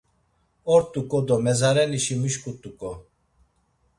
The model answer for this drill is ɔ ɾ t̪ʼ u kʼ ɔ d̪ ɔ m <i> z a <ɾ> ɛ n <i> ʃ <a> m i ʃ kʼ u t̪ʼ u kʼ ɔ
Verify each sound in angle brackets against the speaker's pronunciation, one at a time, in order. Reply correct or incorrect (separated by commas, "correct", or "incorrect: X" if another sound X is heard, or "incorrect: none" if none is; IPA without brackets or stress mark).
incorrect: ɛ, correct, correct, incorrect: i